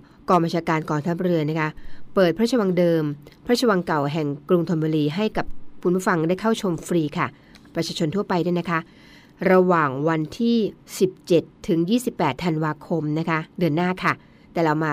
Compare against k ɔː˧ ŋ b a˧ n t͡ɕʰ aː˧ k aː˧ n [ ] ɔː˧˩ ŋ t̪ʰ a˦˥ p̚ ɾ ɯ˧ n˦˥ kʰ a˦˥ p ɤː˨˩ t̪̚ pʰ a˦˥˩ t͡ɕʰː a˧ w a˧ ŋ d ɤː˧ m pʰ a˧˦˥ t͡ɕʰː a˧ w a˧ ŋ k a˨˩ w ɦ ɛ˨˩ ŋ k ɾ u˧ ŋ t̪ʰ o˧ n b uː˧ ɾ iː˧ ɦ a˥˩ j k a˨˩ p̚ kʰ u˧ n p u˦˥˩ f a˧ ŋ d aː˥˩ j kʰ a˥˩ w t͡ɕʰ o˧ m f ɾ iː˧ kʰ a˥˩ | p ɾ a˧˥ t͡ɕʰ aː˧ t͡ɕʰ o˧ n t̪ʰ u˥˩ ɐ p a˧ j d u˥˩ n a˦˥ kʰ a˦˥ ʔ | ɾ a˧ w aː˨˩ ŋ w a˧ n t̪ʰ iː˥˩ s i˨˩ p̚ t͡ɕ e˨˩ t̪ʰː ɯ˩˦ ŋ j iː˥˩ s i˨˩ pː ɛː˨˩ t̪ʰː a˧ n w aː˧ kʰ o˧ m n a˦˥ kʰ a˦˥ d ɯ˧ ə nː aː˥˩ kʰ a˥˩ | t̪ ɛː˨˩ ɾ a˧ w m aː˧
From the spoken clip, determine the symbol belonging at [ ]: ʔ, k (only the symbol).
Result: k